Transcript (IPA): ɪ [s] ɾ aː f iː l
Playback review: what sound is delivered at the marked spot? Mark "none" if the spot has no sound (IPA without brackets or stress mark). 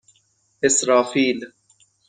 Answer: s